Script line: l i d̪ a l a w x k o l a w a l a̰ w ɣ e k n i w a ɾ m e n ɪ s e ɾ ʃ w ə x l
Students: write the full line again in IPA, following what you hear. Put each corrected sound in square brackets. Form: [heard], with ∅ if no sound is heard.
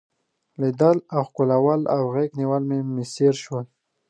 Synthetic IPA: l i d̪ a l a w x k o l a w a l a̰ w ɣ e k n i w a [l] m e [m] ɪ s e ɾ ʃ w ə [∅] l